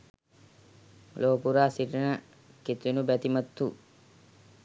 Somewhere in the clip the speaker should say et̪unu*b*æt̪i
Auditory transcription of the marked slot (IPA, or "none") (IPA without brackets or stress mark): b